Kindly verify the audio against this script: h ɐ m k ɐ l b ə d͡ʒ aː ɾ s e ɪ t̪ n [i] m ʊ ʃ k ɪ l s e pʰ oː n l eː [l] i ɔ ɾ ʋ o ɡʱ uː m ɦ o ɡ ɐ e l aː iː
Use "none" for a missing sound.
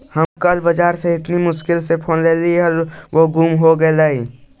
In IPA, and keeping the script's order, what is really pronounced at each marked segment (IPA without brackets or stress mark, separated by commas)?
i, l